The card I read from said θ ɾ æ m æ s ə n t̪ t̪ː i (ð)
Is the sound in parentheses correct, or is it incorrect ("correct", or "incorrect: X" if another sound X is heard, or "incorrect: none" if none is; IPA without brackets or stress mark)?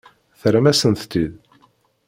correct